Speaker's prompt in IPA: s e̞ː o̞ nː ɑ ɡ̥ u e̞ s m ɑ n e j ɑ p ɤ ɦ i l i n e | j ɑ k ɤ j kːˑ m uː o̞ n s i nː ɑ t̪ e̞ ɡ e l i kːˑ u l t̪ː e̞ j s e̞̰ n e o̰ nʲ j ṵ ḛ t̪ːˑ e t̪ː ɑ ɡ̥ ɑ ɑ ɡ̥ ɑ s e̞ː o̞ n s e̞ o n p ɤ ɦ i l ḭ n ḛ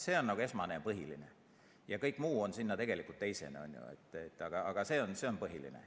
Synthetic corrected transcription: s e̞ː o̞ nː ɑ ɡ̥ u e̞ s m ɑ n e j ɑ p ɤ ɦ i l i n e | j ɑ k ɤ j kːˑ m uː o̞ n s i nː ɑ t̪ e̞ ɡ e l i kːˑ u l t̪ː e̞ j s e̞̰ n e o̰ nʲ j ṵ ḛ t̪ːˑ e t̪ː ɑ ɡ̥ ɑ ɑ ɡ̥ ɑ s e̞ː o̞ n s e̞ o n p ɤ ɦ i l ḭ n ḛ

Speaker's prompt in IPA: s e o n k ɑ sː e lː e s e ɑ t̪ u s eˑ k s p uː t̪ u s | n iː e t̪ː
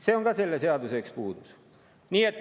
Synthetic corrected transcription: s e o ŋ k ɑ s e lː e s e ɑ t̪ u s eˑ k s p uː t̪ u s | n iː e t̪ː

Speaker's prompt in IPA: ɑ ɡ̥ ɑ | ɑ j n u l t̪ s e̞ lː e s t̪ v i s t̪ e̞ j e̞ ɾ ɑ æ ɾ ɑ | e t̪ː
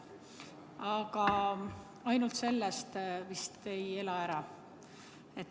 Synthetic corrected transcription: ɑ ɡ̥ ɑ | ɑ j n u l t̪ s e̞ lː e s t̪ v i s t̪ e̞ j e̞ l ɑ æ ɾ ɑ | e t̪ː

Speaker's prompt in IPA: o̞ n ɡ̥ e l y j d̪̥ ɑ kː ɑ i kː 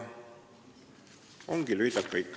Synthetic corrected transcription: o̞ ŋ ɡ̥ i l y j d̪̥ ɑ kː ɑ i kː

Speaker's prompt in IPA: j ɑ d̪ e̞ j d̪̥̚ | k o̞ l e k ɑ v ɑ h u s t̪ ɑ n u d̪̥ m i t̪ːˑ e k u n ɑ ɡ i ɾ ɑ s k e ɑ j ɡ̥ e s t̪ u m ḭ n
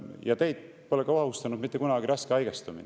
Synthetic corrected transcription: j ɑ t̪ e̞ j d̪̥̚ | p o̞ l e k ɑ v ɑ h u s t̪ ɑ n u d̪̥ m i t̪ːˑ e k u n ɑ ɡ i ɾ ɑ s k e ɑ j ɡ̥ e s t̪ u m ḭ n

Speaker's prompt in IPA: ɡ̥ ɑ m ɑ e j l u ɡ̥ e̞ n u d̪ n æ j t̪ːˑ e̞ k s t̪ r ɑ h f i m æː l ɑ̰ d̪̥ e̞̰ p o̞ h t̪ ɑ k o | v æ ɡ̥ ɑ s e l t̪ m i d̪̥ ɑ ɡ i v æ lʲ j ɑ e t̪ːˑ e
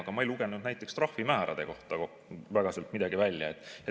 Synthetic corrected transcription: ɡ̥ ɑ m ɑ e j l u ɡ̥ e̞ n u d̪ n æ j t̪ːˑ e̞ k s t̪ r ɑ h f i m æː ɾ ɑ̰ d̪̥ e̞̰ k o̞ h t̪ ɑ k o | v æ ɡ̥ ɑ s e l t̪ m i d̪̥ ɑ ɡ i v æ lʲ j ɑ e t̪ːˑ e

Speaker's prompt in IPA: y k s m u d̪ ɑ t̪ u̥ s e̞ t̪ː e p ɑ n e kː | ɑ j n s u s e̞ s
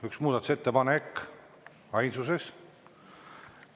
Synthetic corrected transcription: y k s m uː d̪ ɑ t̪ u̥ s e̞ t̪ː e p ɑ n e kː | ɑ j n s u s e̞ s

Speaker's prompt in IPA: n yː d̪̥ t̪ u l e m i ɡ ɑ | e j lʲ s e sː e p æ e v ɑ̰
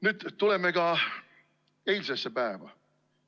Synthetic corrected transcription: n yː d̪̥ t̪ u l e m e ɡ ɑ | e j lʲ s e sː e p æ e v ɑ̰

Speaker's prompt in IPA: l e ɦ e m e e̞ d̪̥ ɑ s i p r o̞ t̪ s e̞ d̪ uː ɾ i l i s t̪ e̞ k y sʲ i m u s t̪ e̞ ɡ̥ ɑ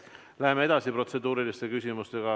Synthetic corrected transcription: l æ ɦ e m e e̞ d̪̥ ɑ s i p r o̞ t̪ s e̞ d̪ uː ɾ i l i s t̪ e̞ k y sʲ i m u s t̪ e̞ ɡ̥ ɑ

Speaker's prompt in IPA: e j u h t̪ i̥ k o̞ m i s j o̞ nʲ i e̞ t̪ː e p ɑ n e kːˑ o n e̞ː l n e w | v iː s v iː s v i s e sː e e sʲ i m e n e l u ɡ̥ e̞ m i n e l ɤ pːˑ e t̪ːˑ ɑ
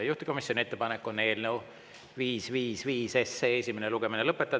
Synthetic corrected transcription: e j u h t̪ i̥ k o̞ m i s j o̞ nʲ i e̞ t̪ː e p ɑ n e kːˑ o n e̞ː l n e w | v iː s v iː s v iː s e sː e e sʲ i m e n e l u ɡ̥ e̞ m i n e l ɤ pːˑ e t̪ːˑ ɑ

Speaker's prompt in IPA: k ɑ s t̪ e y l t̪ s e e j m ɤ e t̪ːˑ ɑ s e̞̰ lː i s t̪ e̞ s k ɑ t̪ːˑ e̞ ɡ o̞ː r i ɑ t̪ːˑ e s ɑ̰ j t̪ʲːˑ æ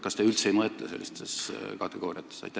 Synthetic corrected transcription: k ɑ s t̪ e y l t̪ s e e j m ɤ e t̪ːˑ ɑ s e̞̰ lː i s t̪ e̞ s k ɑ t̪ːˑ e̞ ɡ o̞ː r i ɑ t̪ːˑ e s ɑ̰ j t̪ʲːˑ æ

